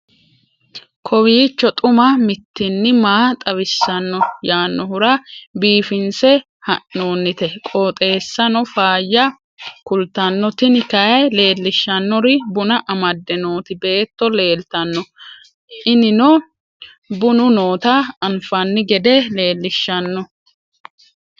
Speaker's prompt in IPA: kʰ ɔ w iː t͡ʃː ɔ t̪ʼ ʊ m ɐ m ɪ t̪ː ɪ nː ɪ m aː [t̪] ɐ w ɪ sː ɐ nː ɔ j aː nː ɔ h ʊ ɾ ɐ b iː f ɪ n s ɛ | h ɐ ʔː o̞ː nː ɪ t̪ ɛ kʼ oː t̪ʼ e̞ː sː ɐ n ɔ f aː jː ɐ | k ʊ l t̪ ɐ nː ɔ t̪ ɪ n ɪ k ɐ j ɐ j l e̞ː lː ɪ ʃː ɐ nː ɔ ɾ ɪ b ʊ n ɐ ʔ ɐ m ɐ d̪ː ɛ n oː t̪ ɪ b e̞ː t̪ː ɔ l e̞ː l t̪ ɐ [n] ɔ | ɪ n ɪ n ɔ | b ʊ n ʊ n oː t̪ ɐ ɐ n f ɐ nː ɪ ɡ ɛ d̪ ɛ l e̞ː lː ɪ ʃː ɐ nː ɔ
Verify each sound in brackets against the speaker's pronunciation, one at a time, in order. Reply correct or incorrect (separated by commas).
incorrect, incorrect